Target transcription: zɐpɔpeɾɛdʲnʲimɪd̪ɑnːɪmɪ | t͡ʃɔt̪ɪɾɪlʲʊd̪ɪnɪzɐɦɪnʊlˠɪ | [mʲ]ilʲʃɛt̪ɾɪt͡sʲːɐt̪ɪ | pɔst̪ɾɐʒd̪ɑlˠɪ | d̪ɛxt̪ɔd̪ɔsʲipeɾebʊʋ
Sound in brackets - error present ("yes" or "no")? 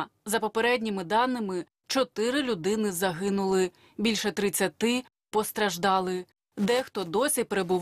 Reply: yes